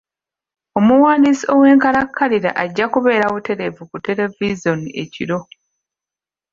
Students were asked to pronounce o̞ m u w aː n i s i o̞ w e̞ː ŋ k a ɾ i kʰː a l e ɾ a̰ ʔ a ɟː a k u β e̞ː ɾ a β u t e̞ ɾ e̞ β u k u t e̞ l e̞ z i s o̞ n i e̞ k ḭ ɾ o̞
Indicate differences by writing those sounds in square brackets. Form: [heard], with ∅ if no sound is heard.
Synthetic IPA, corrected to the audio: o̞ m u w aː n i s i o̞ w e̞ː ŋ k a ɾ [a] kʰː a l [i] ɾ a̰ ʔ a ɟː a k u β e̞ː ɾ a β u t e̞ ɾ e̞ [v] u k u t e̞ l e̞ [v] i [z] o̞ n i e̞ [c] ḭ ɾ o̞

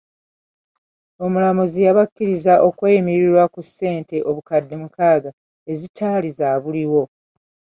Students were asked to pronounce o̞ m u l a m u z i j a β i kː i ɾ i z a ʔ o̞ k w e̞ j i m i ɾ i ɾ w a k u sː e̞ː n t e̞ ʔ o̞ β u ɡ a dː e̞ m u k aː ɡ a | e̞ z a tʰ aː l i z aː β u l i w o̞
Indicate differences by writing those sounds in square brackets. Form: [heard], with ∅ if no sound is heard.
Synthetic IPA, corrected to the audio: o̞ m u l a m u z i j a β [a] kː i ɾ i z a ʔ o̞ k w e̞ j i m i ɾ i ɾ w a k u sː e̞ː n t e̞ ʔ o̞ β u [k] a dː e̞ m u k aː ɡ a | e̞ z [i] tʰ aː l i z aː β u l i w o̞

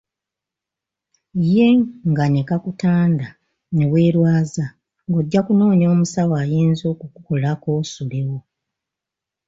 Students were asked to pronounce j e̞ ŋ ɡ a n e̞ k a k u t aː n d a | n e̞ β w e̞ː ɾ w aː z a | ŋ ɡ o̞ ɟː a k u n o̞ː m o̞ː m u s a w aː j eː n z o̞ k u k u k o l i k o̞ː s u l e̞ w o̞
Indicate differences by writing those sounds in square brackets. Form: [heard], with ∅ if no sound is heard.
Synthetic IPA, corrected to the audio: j e̞ ŋ ɡ a n e̞ k a k u t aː n d a | n e̞ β w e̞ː ɾ w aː z a | ŋ ɡ o̞ ɟː a k u n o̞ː [ɲ] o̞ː m u s a w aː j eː n z o̞ k u k u k o l [a] k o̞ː s u l e̞ w o̞

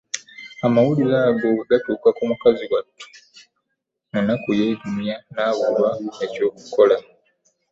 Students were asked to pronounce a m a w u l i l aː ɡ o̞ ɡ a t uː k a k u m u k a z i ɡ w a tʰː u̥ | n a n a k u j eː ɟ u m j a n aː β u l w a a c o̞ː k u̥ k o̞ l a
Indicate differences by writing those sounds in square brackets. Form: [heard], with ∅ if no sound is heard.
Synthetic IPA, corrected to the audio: a m a w u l i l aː ɡ o̞ ɡ a t uː k a k u m u k a z i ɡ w a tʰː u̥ | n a n a k u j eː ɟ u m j a n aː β u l w a [e] c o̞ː k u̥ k o̞ l a

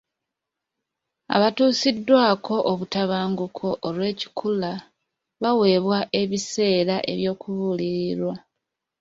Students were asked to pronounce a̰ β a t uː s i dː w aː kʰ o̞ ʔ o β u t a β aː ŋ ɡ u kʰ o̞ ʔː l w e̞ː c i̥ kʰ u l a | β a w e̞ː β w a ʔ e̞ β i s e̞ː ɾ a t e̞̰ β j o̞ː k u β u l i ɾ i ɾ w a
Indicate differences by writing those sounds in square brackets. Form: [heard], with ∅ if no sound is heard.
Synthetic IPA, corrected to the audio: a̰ β a t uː s i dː w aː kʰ o̞ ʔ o β u t a β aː ŋ ɡ u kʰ o̞ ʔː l w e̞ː c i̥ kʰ u l a | β a w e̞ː β w a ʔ e̞ β i s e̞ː ɾ a [ʔ] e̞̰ β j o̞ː k u β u l i ɾ i ɾ w a

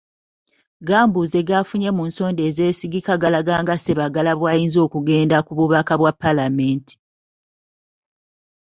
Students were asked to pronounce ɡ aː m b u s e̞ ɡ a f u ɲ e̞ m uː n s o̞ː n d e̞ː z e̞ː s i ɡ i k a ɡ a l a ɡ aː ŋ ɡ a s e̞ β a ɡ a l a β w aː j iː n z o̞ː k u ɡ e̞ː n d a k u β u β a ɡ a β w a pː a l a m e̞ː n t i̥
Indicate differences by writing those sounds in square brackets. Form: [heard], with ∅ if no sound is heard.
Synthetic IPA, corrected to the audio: ɡ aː m b u [z] e̞ ɡ a f u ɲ e̞ m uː n s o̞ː n d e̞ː z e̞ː s i ɡ i k a ɡ a l a ɡ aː ŋ ɡ a s e̞ β a ɡ a l a β w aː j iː n z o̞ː k u ɡ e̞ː n d a k u β u β a [k] a β w a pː a l a m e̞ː n t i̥

